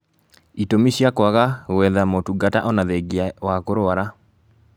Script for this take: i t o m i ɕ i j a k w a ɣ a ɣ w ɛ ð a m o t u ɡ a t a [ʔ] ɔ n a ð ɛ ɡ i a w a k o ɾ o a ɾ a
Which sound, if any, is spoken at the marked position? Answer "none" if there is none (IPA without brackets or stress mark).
ʔ